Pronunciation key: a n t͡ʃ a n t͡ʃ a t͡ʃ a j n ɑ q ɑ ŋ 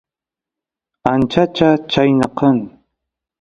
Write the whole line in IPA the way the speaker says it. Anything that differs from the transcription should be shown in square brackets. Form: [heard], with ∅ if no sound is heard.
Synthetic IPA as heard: a n t͡ʃ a [∅] t͡ʃ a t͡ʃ a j n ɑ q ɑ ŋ

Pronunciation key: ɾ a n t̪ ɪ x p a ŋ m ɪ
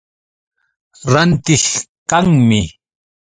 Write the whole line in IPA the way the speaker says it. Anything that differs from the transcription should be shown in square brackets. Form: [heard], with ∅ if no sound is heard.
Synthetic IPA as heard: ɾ a n t̪ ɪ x [k] a ŋ m ɪ

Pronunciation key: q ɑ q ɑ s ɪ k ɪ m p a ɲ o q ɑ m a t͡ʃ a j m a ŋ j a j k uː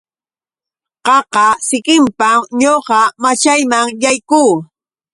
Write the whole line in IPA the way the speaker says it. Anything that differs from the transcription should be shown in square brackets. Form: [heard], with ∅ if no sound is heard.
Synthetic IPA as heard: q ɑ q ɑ s ɪ k ɪ m p a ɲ o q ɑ m a t͡ʃ a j m a ŋ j a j k uː

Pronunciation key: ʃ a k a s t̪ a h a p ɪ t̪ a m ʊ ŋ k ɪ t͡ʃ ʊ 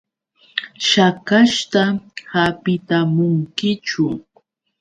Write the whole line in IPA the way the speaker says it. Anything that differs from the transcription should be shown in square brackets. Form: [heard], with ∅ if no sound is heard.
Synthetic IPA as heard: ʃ a k a [ʃ] t̪ a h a p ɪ t̪ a m ʊ ŋ k ɪ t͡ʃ ʊ

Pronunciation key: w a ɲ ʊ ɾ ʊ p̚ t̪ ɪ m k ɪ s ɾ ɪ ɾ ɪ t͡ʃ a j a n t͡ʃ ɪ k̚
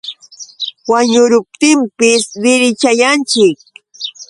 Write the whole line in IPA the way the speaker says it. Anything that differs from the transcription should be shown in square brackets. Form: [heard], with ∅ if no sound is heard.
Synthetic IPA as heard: w a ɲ ʊ ɾ ʊ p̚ t̪ ɪ m [p] ɪ s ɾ ɪ ɾ ɪ t͡ʃ a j a n t͡ʃ ɪ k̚

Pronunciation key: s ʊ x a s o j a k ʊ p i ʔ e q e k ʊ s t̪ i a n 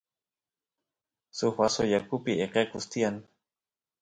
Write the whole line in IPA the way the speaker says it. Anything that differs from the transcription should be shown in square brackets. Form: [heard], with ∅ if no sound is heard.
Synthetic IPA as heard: s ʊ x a s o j a k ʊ p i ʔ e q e k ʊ s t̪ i a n

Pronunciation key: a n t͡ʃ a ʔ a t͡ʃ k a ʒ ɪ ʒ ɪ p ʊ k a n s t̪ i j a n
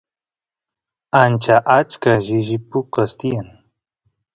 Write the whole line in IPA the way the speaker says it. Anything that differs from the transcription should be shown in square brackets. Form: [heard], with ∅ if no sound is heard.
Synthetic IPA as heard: a n t͡ʃ a ʔ a t͡ʃ k a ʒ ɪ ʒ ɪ p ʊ k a [∅] s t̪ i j a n

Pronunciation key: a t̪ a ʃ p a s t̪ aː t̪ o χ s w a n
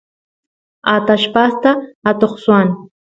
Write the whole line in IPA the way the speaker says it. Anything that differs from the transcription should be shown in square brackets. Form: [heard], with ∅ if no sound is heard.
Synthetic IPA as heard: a t̪ a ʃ p a s t̪ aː t̪ o χ s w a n

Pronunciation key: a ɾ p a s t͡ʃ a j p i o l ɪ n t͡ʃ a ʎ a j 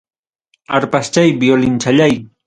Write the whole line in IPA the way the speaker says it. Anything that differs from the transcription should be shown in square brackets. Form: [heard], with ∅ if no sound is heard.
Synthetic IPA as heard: a ɾ p a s t͡ʃ a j [b] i o l ɪ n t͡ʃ a ʎ a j

